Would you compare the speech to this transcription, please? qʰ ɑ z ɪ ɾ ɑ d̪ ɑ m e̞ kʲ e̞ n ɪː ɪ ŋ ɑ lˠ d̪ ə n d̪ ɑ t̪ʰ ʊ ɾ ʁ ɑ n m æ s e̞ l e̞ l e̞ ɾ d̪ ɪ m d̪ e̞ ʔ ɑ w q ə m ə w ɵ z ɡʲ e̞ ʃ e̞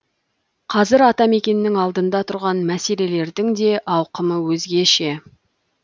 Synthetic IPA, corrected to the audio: qʰ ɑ z ɪ ɾ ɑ t̪ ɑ m e̞ kʲ e̞ n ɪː ɪ ŋ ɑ lˠ d̪ ə n d̪ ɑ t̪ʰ ʊ ɾ ʁ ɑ n m æ s e̞ l e̞ l e̞ ɾ d̪ ɪ ŋ d̪ e̞ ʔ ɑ w q ə m ə w ɵ z ɡʲ e̞ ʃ e̞